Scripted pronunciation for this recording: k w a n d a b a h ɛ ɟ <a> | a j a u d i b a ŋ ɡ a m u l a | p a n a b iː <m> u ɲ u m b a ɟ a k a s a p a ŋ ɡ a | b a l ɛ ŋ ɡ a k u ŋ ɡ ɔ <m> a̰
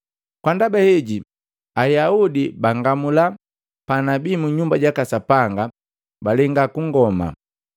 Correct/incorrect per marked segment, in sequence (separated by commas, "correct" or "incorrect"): incorrect, correct, correct